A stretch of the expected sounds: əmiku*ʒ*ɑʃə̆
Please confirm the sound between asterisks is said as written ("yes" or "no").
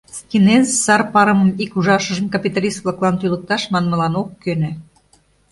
yes